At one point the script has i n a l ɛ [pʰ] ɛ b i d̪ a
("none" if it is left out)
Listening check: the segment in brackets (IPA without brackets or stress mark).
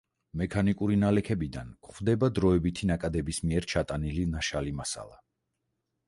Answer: kʰ